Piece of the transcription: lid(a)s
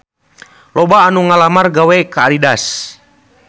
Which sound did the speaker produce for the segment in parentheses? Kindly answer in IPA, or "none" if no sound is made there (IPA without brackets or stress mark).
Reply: a